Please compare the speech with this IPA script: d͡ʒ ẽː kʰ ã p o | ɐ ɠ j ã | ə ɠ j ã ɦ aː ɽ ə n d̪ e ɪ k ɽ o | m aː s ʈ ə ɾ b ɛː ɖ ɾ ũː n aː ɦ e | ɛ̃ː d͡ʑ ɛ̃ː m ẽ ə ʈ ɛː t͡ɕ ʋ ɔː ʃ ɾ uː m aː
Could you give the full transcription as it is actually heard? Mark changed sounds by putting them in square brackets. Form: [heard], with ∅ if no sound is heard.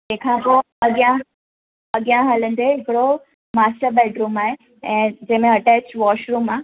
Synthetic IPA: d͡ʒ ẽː kʰ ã p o | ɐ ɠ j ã | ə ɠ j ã ɦ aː [l] ə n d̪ e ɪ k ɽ o | m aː s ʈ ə ɾ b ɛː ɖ ɾ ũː [m] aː ɦ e | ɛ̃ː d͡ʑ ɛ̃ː m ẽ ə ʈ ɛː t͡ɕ ʋ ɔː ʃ ɾ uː m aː